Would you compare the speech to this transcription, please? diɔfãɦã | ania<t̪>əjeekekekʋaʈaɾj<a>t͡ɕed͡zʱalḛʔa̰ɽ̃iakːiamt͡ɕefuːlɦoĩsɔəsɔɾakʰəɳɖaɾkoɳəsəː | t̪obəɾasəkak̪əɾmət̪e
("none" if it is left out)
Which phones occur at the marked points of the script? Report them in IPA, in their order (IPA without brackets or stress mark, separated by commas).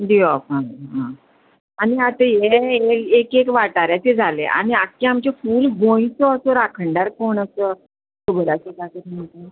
t̪, a